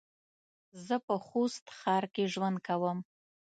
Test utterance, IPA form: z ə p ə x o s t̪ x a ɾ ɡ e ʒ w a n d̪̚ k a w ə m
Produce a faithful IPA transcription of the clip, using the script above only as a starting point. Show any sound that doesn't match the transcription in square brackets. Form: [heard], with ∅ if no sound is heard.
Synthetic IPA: z ə p ə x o s t̪ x [ɑ] ɾ [k] e ʒ w a n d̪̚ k a w ə m